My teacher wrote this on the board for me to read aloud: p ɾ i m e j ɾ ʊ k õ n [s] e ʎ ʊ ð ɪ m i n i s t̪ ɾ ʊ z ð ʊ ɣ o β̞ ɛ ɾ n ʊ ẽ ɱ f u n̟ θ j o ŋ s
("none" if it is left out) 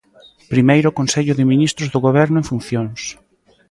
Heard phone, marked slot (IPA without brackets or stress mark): s